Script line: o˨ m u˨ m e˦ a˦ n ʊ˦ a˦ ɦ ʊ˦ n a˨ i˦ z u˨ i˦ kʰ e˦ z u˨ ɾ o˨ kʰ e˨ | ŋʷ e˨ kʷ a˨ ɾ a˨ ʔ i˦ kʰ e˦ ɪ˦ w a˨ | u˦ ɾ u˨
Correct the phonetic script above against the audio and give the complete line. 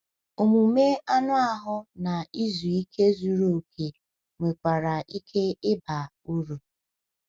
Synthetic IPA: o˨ m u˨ m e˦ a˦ n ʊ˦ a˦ ɦ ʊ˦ n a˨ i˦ z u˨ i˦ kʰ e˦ z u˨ ɾ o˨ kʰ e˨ | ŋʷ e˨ kʷ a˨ ɾ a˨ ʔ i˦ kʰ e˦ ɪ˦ b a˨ | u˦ ɾ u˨

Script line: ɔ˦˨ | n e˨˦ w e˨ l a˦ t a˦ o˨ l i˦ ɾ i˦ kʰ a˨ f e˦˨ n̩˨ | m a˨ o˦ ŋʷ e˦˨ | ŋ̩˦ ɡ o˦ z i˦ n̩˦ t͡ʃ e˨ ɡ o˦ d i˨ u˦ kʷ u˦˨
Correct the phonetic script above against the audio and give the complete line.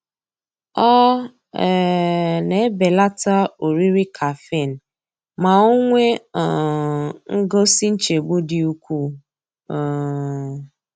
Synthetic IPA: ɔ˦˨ | n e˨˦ b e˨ l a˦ t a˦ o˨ ɾ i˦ ɾ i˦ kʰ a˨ f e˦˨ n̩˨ | m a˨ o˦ ŋʷ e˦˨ | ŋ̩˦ ɡ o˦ s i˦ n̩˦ t͡ʃ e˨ ɡ͡b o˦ d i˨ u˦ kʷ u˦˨

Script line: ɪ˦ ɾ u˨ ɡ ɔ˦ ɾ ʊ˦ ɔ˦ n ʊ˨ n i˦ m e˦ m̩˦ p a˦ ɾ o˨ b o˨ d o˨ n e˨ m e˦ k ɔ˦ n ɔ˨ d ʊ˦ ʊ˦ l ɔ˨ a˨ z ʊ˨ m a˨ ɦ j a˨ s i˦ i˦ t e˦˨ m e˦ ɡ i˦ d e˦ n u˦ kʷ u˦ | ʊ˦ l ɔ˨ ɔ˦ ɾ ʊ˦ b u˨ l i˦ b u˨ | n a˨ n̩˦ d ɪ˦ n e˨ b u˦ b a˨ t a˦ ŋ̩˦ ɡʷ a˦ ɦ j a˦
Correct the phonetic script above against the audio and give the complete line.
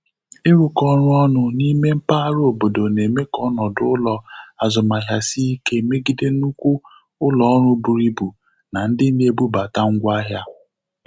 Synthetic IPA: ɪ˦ ɾ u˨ k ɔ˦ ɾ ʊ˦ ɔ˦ n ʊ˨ n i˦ m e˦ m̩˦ p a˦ ɾ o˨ b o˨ d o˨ n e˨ m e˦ k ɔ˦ n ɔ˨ d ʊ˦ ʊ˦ l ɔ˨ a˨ z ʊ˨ m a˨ ɦ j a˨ s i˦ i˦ k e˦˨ m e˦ ɡ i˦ d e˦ n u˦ kʷ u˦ | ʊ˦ l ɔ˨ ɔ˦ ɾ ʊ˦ b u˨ ɾ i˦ b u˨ | n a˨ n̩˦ d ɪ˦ n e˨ b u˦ b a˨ t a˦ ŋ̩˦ ɡʷ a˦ ɦ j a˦

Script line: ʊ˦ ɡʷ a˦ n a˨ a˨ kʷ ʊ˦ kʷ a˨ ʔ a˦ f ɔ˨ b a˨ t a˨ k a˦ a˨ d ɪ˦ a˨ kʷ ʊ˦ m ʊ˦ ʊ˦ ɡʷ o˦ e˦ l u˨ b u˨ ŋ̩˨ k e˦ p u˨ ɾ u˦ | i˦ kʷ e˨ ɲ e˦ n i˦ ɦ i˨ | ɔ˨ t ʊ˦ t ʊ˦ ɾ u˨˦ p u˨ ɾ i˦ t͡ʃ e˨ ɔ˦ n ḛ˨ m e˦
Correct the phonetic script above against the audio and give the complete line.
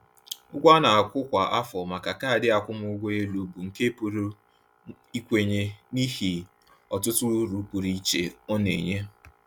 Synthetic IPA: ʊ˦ ɡʷ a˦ n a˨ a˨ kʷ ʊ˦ kʷ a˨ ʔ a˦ f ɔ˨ m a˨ k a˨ k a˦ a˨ d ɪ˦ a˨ kʷ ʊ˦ m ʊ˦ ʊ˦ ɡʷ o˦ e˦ l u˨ b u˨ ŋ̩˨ k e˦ p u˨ ɾ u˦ | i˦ kʷ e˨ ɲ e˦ n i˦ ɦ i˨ | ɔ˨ t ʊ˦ t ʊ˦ ɾ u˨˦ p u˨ ɾ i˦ t͡ʃ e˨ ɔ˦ n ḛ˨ ɲ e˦

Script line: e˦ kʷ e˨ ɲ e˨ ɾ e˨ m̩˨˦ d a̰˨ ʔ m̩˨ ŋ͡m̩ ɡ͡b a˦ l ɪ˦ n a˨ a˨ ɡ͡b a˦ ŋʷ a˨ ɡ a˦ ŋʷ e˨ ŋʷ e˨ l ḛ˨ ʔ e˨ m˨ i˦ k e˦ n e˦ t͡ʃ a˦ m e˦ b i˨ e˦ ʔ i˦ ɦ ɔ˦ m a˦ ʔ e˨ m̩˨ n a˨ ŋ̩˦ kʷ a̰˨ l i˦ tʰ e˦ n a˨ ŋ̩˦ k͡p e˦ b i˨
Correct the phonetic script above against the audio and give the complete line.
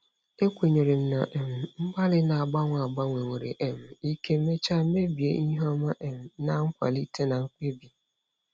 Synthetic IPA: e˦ kʷ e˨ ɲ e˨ ɾ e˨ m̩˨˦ n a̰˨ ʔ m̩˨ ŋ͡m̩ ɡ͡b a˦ l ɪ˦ n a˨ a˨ ɡ͡b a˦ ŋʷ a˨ ɡ͡b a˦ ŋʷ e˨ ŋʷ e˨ ɾ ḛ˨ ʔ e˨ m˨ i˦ k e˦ m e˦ t͡ʃ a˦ m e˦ b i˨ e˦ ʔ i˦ ɦ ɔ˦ m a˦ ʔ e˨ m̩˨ n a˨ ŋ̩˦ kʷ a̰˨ l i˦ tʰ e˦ n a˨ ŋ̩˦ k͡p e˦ b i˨

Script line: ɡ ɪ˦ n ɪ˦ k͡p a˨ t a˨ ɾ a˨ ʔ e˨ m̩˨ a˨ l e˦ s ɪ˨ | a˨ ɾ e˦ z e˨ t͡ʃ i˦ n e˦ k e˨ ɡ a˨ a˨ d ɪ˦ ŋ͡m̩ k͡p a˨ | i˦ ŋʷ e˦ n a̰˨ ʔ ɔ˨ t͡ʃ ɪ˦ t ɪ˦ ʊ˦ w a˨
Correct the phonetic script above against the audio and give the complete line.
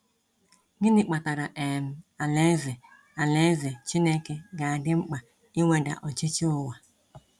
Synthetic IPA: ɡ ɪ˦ n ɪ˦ k͡p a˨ t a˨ ɾ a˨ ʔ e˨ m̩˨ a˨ l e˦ z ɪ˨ | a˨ l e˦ z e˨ t͡ʃ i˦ n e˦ k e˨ ɡ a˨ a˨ d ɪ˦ ŋ͡m̩ k͡p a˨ | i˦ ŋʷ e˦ d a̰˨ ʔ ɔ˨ t͡ʃ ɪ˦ t͡ʃ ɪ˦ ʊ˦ w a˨

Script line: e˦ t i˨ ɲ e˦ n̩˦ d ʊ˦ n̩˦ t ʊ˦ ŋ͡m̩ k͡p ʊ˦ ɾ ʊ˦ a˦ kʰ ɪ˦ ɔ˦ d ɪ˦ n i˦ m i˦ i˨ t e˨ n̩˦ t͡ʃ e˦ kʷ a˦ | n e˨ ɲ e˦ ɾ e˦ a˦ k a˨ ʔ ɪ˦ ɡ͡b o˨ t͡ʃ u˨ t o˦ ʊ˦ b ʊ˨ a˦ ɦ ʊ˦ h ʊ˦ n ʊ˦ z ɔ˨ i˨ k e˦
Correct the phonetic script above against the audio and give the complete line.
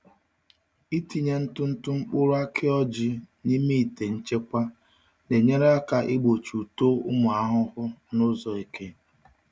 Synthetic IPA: i˦ t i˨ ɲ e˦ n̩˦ t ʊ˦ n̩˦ t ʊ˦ ŋ͡m̩ k͡p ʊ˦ ɾ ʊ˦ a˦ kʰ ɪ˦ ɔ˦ d͡ʒ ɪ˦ n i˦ m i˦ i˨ t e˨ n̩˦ t͡ʃ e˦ kʷ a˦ | n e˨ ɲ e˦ ɾ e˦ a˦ k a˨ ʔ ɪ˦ ɡ͡b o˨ t͡ʃ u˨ t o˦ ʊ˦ m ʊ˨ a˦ ɦ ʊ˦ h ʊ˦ n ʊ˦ z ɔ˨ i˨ k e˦

